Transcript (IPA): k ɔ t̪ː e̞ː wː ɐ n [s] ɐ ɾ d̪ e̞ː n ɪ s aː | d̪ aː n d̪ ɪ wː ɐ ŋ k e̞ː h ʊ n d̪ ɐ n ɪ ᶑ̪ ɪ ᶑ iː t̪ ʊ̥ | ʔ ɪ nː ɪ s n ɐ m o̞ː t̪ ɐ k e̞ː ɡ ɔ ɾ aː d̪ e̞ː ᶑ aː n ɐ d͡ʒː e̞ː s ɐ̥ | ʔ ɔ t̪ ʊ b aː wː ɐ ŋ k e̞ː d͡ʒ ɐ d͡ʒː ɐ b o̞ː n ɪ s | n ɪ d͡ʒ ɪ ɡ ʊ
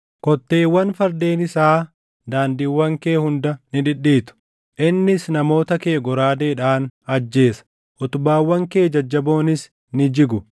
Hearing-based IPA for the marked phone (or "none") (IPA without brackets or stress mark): f